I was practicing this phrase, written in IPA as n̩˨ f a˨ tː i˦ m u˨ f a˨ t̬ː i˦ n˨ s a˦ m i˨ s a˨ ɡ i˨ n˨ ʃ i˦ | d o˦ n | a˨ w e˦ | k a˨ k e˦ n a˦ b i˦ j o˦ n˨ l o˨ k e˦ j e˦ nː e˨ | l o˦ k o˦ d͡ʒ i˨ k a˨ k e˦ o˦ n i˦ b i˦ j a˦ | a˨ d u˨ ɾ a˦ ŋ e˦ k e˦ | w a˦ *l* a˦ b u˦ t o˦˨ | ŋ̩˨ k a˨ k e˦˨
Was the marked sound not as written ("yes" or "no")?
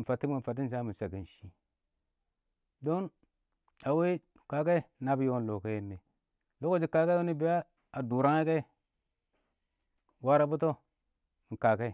yes